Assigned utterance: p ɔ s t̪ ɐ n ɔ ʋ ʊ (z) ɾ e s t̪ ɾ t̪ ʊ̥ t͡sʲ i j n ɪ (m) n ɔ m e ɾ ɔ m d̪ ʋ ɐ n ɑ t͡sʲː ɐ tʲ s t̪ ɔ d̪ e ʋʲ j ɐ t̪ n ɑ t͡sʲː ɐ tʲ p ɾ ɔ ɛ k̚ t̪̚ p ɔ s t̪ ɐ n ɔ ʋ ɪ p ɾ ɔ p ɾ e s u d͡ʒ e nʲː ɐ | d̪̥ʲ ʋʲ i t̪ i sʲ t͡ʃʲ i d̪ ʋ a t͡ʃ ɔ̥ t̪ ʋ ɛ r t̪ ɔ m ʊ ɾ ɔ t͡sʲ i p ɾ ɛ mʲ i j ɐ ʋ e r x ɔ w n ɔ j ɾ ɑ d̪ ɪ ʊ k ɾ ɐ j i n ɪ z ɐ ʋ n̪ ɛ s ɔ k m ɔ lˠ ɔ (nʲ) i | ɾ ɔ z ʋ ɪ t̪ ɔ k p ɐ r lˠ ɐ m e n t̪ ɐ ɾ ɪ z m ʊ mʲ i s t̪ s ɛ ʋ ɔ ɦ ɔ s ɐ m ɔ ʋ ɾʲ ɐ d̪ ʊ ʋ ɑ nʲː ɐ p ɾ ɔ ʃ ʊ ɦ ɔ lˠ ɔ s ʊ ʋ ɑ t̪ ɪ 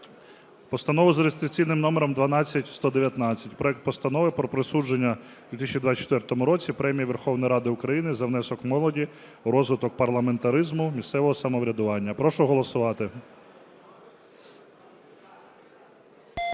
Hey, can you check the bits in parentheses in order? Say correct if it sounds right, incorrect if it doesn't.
correct, correct, incorrect: dʲ

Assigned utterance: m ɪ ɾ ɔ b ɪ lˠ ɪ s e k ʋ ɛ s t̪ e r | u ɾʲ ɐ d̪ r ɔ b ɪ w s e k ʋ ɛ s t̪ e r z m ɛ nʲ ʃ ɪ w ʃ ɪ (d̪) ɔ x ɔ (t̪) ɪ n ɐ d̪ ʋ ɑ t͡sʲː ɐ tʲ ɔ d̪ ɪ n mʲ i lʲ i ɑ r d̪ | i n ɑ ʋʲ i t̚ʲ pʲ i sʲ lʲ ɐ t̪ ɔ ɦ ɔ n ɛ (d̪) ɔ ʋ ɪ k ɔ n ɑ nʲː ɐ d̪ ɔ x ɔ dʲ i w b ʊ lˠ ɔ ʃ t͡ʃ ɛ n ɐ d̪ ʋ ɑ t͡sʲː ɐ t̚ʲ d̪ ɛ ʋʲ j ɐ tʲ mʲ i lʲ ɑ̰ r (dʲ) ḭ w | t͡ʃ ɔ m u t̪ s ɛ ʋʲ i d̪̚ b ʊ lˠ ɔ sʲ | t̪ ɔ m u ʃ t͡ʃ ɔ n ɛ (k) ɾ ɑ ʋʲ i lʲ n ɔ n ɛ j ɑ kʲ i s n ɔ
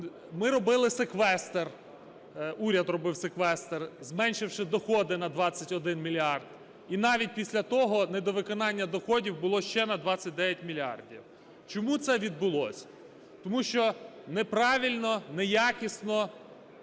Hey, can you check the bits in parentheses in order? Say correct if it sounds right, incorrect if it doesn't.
correct, incorrect: d̪, correct, correct, incorrect: p

